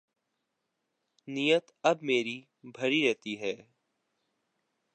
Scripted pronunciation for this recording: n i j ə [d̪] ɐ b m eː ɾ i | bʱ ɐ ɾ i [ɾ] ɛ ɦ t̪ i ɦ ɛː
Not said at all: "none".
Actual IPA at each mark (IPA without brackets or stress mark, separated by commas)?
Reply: t̪, ɾ